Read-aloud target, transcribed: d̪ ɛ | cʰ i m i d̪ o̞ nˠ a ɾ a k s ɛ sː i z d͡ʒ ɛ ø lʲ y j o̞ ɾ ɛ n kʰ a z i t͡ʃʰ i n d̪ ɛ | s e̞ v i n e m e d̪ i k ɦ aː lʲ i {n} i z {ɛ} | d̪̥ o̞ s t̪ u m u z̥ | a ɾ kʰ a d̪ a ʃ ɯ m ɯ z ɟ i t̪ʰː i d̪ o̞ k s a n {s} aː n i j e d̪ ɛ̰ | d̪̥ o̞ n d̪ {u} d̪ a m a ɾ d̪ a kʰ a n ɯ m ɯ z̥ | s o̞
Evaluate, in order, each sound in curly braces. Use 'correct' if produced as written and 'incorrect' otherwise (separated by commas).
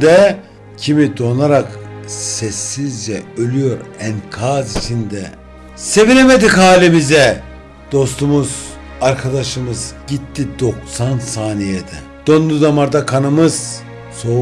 incorrect, correct, correct, correct